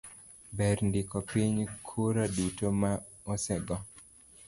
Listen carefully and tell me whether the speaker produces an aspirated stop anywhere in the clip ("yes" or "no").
yes